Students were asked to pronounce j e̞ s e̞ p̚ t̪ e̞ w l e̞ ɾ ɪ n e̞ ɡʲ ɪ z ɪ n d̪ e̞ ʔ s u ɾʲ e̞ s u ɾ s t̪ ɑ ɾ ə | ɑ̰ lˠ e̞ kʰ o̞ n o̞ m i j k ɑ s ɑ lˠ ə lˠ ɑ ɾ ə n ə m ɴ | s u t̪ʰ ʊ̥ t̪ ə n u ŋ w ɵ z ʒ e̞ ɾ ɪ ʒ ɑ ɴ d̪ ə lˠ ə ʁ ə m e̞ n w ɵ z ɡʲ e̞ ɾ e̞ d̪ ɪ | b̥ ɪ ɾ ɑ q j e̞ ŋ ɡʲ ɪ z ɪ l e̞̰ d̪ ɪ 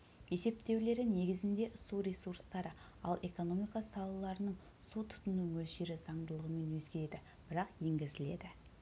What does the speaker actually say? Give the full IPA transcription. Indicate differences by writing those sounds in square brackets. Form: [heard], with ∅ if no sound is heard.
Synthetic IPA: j e̞ s e̞ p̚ t̪ e̞ w l e̞ ɾ ɪ n e̞ ɡʲ ɪ z ɪ n d̪ e̞ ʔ s u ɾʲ e̞ s u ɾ s t̪ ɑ ɾ ə | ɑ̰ lˠ e̞ [k] o̞ n o̞ m i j k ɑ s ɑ lˠ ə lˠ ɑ ɾ ə n ə [∅] ɴ | s u t̪ʰ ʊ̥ t̪ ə n u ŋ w ɵ z ʒ e̞ ɾ ɪ [z] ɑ ɴ d̪ ə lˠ ə ʁ ə m e̞ n w ɵ z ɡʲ e̞ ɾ e̞ d̪ ɪ | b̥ ɪ ɾ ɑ q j e̞ ŋ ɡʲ ɪ z ɪ l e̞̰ d̪ ɪ

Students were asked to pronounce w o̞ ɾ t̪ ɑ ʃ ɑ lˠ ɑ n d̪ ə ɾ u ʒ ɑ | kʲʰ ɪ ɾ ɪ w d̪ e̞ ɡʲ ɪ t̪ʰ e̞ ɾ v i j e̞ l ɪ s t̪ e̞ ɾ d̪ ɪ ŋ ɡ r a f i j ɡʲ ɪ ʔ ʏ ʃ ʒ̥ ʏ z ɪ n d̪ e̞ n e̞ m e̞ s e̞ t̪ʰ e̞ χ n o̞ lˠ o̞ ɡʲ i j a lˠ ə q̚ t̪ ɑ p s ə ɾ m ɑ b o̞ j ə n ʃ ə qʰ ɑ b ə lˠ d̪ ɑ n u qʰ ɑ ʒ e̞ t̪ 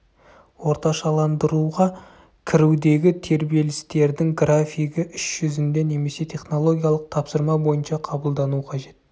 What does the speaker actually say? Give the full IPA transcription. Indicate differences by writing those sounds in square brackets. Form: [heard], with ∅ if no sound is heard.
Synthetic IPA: w o̞ ɾ t̪ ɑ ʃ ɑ lˠ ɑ n d̪ ə ɾ u [ʁ] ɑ | kʲʰ ɪ ɾ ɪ w d̪ e̞ ɡʲ ɪ t̪ʰ e̞ ɾ [b] i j e̞ l ɪ s t̪ e̞ ɾ d̪ ɪ ŋ ɡ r a f i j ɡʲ ɪ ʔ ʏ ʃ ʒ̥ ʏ z ɪ n d̪ e̞ n e̞ m e̞ s e̞ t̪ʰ e̞ χ n o̞ lˠ o̞ ɡʲ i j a lˠ ə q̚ [t̪ʰ] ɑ p s ə ɾ m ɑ b o̞ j ə n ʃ [ɑ] qʰ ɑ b ə lˠ d̪ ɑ n u qʰ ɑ ʒ e̞ t̪

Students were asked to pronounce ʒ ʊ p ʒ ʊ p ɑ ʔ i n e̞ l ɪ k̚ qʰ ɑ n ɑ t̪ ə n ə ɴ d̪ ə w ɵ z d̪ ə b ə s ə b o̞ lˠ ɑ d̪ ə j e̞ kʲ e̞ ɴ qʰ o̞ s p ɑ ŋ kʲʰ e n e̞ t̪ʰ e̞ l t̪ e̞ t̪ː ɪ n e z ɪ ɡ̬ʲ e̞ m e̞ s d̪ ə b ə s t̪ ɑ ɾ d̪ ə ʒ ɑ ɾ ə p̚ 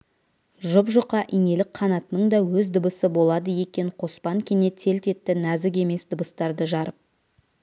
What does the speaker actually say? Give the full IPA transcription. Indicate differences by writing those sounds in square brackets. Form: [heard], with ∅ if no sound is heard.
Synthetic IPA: ʒ ʊ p ʒ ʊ [q] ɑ ʔ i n e̞ l ɪ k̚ qʰ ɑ n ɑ t̪ ə n ə ɴ d̪ [ɑ] w ɵ z d̪ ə b ə s ə b o̞ lˠ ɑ d̪ ə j e̞ kʲ e̞ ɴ qʰ o̞ s p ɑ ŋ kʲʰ e n e̞ t̪ʰ e̞ l t̪ e̞ t̪ː ɪ n [æ] z ɪ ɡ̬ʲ e̞ m e̞ s d̪ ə b ə s t̪ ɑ ɾ d̪ ə ʒ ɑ ɾ ə p̚

